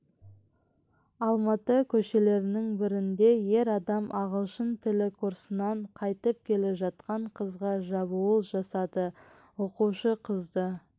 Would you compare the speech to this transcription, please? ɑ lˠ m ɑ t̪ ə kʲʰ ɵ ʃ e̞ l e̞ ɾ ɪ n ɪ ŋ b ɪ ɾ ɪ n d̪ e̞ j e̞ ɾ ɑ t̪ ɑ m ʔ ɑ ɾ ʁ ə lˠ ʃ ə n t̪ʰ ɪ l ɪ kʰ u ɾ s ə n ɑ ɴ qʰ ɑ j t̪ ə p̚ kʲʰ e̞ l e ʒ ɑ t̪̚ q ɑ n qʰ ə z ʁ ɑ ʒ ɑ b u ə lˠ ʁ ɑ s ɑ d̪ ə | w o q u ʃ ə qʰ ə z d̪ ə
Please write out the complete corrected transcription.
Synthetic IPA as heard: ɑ lˠ m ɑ t̪ ə kʲʰ ɵ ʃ e̞ l e̞ ɾ ɪ n ɪ ŋ b ɪ ɾ ɪ n d̪ e̞ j e̞ ɾ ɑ d̪ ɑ m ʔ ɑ ʁ ə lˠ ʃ ə n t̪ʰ ɪ l ɪ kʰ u ɾ s ə n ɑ ɴ qʰ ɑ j t̪ ə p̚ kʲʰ e̞ l e ʒ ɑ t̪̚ q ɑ ɴ qʰ ə z ʁ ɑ ʒ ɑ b u ə lˠ ʒ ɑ s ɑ d̪ ə | w o q u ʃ ə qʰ ə z d̪ ə

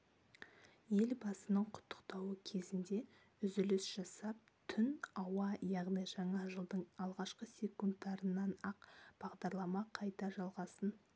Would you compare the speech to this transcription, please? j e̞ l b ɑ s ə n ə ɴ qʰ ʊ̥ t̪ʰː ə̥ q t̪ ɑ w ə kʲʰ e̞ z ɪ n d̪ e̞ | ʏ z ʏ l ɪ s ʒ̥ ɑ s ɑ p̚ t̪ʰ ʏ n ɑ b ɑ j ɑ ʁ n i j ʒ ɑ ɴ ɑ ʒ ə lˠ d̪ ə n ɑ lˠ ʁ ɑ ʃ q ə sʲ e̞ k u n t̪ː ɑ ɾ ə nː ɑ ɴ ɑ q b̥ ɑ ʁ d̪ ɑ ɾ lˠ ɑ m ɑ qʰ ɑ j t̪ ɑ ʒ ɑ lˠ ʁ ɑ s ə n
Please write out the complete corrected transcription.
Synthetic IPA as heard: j e̞ l b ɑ s ə n ə ɴ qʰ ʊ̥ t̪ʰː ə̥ q t̪ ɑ w ə kʲʰ e̞ z ɪ n d̪ e̞ | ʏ z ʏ l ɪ s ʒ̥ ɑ s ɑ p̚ t̪ʰ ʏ n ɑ w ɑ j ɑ ʁ n i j ʒ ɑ ɴ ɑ ʒ ə lˠ d̪ ə ɴ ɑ lˠ ʁ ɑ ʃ q ə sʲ e̞ k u n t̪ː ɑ ɾ ə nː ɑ n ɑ q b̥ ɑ ʁ d̪ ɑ ɾ lˠ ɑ m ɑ qʰ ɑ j t̪ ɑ ʒ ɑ lˠ ʁ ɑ s ə n

